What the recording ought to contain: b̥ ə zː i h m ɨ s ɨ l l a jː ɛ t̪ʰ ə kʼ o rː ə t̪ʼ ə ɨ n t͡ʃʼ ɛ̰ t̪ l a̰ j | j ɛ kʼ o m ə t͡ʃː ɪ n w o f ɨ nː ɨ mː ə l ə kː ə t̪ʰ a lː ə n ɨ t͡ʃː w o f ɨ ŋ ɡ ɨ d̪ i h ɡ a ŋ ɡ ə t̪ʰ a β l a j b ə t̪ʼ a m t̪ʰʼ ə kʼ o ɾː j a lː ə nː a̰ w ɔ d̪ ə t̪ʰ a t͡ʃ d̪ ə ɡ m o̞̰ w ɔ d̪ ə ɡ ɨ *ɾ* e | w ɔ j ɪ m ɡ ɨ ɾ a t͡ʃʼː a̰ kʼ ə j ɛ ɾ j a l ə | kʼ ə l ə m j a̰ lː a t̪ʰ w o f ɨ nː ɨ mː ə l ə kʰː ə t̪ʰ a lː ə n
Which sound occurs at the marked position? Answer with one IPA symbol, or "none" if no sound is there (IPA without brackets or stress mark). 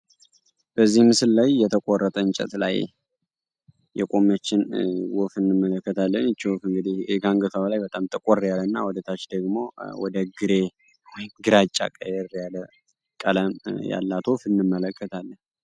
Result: ɾ